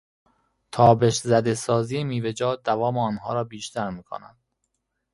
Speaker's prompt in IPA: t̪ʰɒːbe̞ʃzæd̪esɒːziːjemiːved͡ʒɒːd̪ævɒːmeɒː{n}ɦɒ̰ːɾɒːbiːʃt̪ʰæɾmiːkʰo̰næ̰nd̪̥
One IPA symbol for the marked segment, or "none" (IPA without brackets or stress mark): n